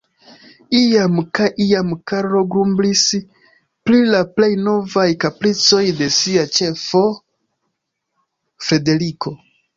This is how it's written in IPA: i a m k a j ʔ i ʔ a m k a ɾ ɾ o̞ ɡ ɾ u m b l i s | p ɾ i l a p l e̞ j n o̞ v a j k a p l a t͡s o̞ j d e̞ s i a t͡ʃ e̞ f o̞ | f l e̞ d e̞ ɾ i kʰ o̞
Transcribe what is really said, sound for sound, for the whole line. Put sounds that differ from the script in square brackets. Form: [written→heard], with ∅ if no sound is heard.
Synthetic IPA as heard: i a m k a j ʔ i [ʔ→∅] a m k a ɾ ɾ o̞ ɡ ɾ u m b l i s | p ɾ i l a p l e̞ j n o̞ v a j k a p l [a→i] t͡s o̞ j d e̞ s i a t͡ʃ e̞ f o̞ | f [l→ɾ] e̞ d e̞ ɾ i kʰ o̞